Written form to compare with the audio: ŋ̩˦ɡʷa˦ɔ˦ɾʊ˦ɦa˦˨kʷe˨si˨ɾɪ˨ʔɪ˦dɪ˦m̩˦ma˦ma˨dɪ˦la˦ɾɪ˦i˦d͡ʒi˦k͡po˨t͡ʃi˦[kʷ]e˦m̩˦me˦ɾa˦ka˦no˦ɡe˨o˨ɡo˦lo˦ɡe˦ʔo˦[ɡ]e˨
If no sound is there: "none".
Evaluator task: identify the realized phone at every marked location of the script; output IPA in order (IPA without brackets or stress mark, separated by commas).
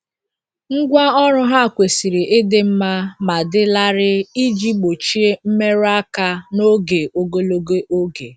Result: none, ɡ